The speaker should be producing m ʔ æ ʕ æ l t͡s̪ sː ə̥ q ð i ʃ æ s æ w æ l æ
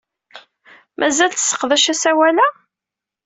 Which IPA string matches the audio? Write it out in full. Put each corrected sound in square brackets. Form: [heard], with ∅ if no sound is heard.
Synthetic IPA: m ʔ æ [z] æ l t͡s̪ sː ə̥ q ð [æ] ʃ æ s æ w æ l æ